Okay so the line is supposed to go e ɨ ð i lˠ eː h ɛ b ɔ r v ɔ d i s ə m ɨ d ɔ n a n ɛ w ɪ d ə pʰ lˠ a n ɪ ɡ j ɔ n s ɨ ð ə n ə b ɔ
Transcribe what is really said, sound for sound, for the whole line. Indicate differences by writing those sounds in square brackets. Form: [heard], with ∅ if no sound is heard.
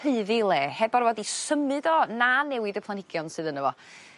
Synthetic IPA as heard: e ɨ ð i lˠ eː h ɛ b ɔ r v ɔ d i s ə m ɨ d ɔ n a n ɛ w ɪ d ə pʰ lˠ a n ɪ ɡ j ɔ n s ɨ ð ə n ə [v] ɔ